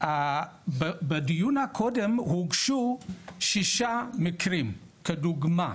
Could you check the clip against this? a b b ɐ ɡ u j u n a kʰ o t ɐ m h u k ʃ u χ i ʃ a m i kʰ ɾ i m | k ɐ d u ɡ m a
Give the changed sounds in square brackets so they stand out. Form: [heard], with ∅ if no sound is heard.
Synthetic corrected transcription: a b b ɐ [d] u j u n a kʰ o [d] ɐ m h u [ɡ] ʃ u [ʃ] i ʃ a m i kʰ ɾ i m | k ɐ d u ɡ m a